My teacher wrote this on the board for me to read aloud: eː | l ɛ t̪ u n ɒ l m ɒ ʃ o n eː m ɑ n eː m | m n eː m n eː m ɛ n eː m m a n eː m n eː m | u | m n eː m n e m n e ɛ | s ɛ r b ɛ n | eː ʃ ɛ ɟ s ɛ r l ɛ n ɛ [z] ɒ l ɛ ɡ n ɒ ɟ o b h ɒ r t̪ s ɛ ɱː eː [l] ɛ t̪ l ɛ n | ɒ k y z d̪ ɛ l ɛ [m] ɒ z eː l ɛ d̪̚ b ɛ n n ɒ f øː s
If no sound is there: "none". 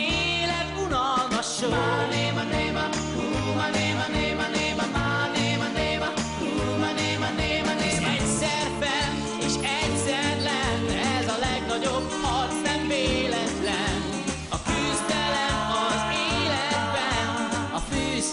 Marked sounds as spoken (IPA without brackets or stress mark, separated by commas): z, l, m